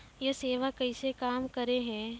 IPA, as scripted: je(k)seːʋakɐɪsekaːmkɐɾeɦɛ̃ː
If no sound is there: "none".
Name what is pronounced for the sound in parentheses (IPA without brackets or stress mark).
none